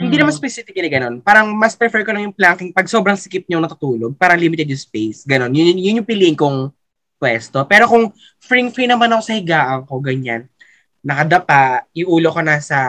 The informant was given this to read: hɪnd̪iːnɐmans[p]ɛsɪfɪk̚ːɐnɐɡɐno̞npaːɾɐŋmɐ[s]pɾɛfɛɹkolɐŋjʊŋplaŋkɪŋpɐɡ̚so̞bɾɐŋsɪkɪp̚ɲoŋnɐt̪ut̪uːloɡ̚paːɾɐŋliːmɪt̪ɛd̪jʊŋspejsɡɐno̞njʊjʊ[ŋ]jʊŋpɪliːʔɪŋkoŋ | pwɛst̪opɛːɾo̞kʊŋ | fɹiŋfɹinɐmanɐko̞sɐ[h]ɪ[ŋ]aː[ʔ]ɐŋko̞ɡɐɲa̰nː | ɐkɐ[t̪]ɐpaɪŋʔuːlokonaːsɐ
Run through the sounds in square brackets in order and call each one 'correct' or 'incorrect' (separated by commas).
correct, correct, incorrect, correct, incorrect, correct, incorrect